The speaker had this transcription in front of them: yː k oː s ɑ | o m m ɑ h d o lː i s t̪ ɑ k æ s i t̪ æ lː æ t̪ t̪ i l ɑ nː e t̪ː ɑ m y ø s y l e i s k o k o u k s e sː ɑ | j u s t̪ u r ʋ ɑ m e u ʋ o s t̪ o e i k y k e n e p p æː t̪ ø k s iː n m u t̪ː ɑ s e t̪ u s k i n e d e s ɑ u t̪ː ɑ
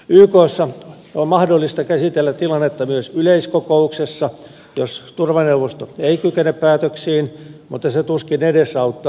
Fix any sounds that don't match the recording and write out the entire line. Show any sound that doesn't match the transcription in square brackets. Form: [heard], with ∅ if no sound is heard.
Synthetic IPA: yː k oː [sː] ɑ | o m m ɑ h d o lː i s t̪ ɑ k æ s i t̪ [e] lː æ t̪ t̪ i l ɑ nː e t̪ː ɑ m y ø s y l e i s k o k o u k s e sː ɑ | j [o] s t̪ u r ʋ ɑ [n] e u ʋ o s t̪ o e i k y k e n e p p æː t̪ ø k s iː n m u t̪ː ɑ s e t̪ u s k i n e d e s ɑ u t̪ː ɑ